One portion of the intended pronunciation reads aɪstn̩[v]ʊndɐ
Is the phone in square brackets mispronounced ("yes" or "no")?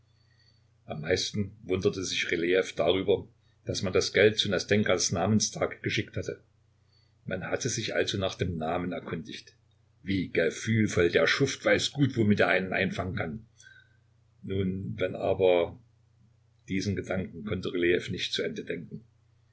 no